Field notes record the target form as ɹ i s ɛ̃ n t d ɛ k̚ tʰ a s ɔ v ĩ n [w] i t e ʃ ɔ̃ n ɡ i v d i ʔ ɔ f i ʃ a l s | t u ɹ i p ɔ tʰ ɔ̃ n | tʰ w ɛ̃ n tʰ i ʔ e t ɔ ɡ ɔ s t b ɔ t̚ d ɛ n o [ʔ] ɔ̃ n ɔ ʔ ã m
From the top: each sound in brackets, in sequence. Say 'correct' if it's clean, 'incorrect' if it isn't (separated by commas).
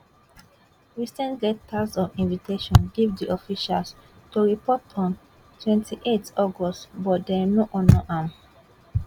incorrect, correct